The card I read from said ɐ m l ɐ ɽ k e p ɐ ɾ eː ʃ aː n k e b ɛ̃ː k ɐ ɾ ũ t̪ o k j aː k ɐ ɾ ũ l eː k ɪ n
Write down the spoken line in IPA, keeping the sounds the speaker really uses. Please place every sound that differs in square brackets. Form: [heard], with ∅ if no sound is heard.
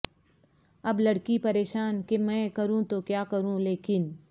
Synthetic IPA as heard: ɐ [b] l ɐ ɽ k [i] p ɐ ɾ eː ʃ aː n k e [m] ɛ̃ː k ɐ ɾ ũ t̪ o k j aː k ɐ ɾ ũ l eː k ɪ n